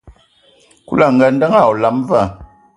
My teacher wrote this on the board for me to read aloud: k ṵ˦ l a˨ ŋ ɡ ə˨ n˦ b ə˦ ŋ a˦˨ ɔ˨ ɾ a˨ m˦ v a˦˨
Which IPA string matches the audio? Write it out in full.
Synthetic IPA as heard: k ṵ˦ l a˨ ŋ ɡ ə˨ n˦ d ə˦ ŋ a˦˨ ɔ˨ l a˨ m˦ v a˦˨